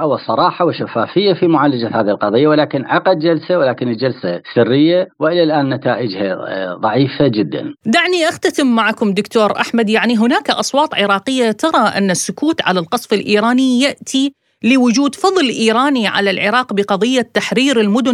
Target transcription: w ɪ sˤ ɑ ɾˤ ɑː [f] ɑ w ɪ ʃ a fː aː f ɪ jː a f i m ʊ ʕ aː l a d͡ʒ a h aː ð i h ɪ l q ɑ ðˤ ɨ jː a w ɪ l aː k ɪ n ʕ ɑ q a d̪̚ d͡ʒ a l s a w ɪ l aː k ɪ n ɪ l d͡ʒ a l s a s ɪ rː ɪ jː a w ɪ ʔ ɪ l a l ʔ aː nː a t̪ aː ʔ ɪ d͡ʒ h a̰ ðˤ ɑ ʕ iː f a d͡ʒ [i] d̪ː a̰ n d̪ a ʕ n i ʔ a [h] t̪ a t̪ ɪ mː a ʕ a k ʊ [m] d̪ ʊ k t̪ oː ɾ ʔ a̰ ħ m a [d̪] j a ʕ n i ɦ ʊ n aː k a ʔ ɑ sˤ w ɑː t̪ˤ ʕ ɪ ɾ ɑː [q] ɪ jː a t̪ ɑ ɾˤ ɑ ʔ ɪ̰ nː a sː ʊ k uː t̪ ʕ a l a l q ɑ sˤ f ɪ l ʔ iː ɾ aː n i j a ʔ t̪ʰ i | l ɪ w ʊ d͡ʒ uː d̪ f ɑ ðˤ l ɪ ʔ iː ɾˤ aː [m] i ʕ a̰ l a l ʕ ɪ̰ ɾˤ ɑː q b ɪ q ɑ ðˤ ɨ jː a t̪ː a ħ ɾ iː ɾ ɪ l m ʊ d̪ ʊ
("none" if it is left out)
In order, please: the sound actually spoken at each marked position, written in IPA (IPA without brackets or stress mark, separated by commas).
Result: ħ, ɪ, x, m, d̪, q, n